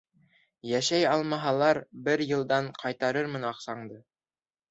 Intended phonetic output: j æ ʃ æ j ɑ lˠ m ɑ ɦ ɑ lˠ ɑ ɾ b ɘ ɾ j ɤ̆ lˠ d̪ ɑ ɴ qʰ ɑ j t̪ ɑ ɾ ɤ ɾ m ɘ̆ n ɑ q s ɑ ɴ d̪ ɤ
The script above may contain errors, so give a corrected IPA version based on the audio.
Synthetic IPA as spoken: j æ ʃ æ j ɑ lˠ m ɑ ɦ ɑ lˠ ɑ ɾ b ɘ ɾ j ɤ̆ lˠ d̪ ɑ ɴ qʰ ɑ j t̪ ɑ ɾ ɤ ɾ m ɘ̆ n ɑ q s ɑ ɴ d̪ ɤ